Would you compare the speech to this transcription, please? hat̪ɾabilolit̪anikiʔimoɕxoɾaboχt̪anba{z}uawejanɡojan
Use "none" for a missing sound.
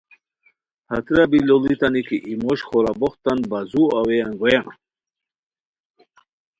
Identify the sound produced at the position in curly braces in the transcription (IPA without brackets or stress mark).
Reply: z